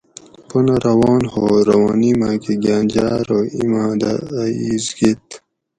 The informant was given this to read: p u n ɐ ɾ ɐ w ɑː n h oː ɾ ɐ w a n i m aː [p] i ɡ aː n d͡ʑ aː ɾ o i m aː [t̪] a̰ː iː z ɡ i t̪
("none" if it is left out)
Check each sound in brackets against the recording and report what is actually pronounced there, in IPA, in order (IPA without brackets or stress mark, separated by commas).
k, d̪